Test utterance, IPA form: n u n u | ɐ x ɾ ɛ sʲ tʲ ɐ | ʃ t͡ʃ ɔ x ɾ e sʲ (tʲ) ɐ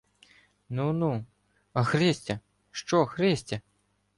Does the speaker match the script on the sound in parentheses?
yes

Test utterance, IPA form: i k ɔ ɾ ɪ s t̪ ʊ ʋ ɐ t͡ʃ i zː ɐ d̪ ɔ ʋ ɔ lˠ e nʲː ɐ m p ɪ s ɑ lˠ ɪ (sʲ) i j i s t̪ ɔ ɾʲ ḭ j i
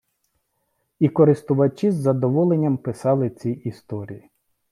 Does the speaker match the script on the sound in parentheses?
no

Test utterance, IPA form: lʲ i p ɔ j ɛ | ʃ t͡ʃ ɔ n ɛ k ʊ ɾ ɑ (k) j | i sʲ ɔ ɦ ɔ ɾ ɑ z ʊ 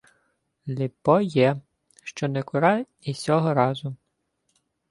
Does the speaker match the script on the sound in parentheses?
no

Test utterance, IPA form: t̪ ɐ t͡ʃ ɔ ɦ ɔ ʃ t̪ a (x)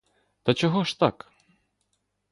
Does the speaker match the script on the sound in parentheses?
no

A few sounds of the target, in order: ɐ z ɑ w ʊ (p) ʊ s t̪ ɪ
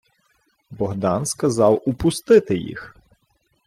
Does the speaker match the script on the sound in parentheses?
yes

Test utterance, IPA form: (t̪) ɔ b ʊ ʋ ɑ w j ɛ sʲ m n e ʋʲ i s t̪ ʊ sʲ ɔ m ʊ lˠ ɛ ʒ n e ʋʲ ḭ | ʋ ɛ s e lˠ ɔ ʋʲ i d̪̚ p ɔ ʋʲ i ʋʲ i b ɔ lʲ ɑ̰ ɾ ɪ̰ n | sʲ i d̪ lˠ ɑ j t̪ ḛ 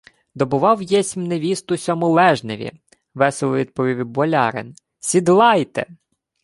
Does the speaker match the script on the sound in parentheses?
no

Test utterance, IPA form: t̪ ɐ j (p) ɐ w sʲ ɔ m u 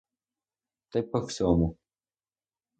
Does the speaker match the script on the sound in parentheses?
yes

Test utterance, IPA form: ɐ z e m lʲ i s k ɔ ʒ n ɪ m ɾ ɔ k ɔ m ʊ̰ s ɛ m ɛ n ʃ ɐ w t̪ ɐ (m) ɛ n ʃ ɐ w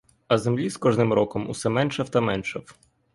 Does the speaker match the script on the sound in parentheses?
yes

